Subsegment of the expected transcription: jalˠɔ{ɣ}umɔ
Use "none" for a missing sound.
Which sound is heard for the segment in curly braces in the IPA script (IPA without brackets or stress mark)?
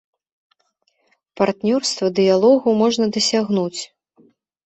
ɣ